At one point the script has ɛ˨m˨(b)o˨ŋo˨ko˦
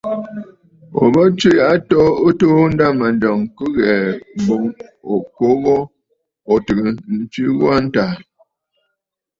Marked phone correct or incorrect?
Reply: correct